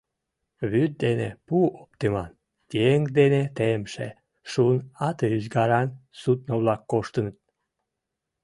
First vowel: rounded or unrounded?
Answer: rounded